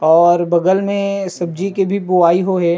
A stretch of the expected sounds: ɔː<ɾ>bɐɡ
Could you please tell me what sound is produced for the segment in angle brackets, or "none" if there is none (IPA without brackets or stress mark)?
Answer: ɾ